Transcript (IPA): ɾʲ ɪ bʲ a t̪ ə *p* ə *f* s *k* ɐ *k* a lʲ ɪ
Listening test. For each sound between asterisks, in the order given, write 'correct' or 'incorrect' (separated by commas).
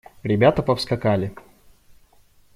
correct, correct, correct, correct